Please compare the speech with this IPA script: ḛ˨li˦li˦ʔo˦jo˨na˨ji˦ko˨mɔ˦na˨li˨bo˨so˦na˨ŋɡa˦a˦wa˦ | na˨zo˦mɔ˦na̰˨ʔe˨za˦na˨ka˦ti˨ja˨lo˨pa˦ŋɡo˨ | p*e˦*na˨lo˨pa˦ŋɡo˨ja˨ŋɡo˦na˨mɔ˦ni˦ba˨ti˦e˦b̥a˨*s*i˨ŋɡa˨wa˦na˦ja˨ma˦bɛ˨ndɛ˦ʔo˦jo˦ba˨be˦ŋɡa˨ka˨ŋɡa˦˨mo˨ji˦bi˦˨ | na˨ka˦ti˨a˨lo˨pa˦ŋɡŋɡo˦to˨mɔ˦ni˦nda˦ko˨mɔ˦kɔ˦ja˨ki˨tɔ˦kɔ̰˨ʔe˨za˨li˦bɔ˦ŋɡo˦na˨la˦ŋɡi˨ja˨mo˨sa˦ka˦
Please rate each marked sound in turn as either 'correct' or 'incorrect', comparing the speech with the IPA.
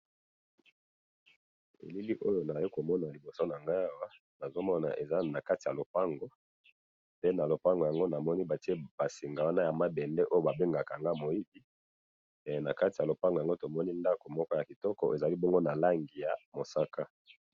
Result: correct, correct

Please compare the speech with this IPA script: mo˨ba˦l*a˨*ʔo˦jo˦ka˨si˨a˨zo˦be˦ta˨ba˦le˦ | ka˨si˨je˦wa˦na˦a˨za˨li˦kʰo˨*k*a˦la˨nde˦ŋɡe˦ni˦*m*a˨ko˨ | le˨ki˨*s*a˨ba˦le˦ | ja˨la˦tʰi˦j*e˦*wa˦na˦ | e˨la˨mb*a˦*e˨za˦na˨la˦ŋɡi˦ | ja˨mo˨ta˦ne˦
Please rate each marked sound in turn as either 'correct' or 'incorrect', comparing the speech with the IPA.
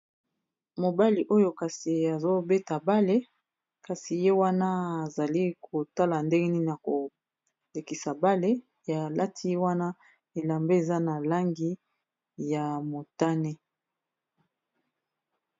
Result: incorrect: i˨, incorrect: t, incorrect: n, correct, correct, incorrect: e˦

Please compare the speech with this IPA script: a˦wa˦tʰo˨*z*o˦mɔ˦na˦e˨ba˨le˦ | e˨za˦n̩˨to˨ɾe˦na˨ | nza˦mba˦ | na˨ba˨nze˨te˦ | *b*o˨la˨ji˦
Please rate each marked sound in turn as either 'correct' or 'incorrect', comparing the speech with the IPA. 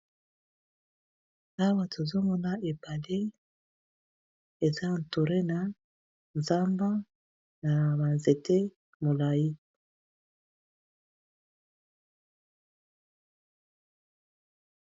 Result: correct, incorrect: m

